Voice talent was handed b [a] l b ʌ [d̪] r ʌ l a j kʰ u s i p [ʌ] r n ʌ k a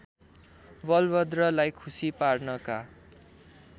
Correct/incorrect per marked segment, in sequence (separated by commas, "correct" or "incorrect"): incorrect, correct, incorrect